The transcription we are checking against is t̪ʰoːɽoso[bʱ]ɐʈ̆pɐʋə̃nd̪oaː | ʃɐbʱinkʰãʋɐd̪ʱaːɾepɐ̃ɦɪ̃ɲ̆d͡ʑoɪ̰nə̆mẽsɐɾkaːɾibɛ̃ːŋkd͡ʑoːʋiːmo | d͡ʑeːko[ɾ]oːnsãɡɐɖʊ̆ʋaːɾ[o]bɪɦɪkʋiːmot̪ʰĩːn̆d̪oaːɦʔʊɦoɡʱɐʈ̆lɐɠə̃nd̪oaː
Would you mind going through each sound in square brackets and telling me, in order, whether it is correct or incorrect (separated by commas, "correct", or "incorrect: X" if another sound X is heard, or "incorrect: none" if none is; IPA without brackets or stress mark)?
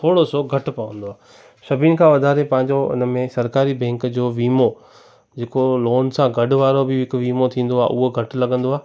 incorrect: ɡʱ, incorrect: l, correct